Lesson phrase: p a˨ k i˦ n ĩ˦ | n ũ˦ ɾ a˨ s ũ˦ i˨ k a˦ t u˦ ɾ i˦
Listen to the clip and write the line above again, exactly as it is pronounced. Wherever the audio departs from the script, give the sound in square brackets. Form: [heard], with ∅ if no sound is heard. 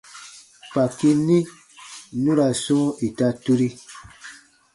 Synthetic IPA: p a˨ k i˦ n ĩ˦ | n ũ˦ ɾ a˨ s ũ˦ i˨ [t] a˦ t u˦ ɾ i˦